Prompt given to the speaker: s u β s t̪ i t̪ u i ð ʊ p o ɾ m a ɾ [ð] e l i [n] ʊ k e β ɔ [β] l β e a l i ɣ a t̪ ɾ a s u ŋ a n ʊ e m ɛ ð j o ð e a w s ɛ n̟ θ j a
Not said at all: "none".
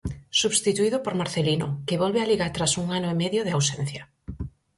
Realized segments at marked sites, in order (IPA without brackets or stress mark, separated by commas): θ, n, none